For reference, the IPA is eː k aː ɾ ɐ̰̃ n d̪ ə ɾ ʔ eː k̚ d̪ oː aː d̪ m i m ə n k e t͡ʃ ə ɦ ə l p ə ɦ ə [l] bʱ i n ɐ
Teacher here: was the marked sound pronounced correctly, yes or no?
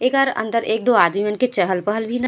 yes